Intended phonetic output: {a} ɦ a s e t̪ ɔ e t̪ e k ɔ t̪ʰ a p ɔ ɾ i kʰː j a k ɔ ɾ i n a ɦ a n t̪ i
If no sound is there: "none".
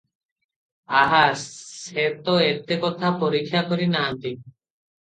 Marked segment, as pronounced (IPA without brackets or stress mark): a